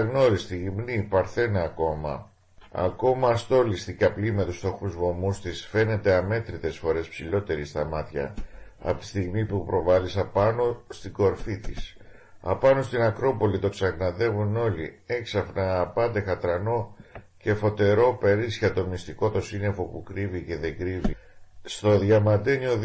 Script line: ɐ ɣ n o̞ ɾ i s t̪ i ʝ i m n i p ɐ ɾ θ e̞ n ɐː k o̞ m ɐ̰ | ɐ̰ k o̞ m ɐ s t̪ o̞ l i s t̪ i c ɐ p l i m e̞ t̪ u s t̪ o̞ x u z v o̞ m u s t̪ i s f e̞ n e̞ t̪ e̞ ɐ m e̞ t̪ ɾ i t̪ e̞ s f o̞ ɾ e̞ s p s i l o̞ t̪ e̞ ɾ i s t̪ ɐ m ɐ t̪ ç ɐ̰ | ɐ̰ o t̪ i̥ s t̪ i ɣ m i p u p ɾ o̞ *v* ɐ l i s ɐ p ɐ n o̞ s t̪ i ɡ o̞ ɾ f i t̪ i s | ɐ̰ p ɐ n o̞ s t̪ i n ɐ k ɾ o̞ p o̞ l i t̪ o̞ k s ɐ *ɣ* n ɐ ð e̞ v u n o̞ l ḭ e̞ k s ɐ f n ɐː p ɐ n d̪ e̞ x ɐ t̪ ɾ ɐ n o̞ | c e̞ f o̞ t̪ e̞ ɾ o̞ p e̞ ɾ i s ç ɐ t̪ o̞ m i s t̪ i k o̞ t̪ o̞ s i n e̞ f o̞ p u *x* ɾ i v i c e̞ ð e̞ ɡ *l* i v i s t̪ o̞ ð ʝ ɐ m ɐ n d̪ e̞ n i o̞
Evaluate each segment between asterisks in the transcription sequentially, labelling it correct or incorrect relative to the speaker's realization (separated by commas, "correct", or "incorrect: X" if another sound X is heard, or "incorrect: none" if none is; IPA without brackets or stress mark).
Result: correct, correct, incorrect: k, incorrect: ɾ